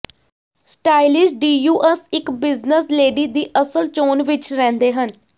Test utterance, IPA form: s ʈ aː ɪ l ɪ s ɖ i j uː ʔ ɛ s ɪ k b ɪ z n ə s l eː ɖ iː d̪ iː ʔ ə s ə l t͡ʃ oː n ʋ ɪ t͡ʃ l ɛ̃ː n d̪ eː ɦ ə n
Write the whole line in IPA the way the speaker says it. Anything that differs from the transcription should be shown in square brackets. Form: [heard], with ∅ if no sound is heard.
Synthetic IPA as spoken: s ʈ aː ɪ l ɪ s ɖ [iː] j uː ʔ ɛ s ɪ k b ɪ z n ə s l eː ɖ iː d̪ iː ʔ ə s ə l t͡ʃ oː n ʋ ɪ t͡ʃ [ɾ] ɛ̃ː n d̪ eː ɦ ə n